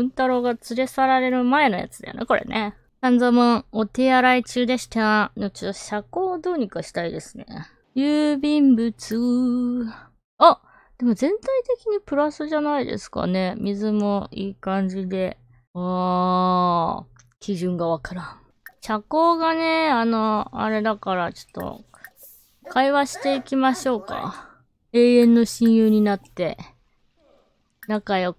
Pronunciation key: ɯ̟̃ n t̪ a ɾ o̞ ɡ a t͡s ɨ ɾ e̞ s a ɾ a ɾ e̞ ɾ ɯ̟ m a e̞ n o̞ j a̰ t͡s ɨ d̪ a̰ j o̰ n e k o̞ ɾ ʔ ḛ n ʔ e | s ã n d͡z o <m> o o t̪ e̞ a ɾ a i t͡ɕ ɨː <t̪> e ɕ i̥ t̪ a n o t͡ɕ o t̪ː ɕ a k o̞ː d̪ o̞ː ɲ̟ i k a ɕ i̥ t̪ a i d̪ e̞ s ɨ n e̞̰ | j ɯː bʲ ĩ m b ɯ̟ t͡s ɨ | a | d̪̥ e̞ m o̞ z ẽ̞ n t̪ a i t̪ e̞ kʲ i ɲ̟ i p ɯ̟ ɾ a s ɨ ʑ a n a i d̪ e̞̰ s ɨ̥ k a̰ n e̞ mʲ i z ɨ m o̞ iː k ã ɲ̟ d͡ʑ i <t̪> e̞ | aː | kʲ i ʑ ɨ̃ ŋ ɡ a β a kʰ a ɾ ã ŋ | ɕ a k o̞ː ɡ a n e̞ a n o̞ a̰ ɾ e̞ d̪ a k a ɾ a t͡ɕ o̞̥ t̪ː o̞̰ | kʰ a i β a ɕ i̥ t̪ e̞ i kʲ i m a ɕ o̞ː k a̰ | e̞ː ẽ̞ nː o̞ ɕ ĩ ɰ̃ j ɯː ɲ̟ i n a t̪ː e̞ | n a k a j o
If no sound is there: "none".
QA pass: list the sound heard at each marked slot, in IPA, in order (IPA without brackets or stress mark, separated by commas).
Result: m, d̪, d̪